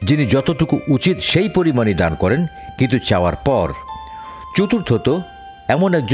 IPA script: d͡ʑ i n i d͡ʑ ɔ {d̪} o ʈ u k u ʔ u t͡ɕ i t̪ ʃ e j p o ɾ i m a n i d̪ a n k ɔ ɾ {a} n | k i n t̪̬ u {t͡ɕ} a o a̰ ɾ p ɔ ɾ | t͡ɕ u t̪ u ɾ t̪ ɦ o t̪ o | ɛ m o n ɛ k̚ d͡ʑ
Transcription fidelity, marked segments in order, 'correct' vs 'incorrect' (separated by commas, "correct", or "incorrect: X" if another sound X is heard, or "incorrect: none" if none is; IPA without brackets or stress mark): incorrect: t̪, incorrect: e, correct